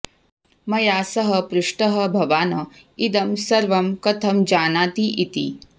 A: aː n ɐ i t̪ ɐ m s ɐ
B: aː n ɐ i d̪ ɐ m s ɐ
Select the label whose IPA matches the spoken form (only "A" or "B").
B